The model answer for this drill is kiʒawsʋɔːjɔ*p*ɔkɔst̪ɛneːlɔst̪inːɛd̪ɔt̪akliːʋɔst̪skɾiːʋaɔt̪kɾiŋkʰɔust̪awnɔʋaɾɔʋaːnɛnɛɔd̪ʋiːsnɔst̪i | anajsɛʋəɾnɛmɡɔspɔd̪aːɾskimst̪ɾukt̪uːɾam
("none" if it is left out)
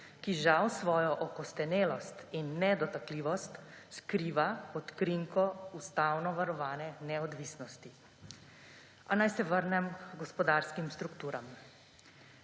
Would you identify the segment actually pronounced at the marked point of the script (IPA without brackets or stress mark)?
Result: ʔ